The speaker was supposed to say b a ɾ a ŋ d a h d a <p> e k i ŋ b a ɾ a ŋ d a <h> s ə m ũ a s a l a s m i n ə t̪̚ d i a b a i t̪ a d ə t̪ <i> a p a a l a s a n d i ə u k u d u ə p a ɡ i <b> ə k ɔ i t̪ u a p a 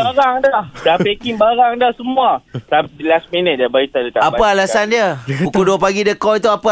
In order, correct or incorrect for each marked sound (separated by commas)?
correct, correct, incorrect, incorrect